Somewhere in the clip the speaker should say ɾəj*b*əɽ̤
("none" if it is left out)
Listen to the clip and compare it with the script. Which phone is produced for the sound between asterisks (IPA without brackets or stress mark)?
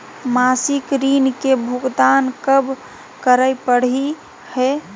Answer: p